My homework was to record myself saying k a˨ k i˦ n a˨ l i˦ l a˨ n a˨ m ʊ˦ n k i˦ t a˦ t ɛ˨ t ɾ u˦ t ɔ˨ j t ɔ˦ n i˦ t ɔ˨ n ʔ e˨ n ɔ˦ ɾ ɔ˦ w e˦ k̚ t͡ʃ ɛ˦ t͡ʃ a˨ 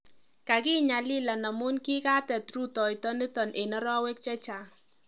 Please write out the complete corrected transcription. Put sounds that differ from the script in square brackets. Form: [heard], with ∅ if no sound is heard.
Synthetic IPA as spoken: k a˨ k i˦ [ɲ] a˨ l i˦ l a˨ n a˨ m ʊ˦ n k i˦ [k] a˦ t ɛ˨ t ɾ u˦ t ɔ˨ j t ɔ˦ n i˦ t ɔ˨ n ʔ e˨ n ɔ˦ ɾ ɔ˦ w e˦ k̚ t͡ʃ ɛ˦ t͡ʃ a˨